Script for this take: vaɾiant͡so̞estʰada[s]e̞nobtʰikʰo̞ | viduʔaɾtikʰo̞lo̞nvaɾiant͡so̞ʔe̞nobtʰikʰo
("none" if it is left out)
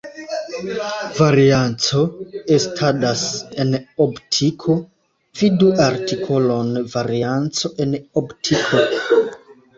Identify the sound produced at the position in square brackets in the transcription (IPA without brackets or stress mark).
s